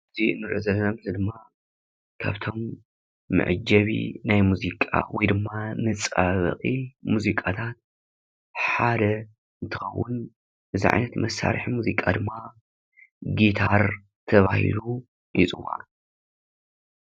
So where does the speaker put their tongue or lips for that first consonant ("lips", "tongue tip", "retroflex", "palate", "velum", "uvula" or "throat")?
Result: tongue tip